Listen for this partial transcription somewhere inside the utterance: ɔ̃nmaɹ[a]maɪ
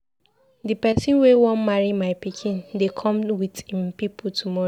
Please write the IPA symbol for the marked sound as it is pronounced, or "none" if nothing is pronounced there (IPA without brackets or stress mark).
i